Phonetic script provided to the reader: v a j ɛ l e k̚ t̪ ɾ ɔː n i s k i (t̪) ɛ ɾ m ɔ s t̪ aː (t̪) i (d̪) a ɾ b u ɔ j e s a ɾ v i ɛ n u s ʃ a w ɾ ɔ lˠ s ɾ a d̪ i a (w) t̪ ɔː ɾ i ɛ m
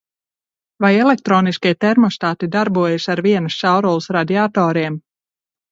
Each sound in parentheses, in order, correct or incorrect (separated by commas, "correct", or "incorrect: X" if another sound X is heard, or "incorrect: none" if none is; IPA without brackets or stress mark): correct, correct, correct, incorrect: none